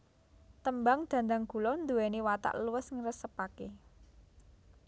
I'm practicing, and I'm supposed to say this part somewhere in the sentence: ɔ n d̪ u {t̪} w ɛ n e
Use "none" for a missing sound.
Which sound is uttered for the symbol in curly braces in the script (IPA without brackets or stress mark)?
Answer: none